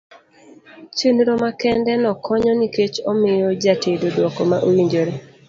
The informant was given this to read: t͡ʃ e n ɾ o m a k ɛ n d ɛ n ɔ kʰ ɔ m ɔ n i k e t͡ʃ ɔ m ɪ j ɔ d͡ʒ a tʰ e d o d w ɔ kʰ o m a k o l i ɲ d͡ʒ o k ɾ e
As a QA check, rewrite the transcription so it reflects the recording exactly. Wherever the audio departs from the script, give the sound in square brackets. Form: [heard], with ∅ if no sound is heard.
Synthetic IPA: t͡ʃ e n ɾ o m a k ɛ n d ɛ n ɔ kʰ ɔ [ɲ] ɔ n i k e t͡ʃ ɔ m ɪ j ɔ d͡ʒ a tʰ e d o d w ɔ [k] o m a [ʔ] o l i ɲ d͡ʒ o [∅] ɾ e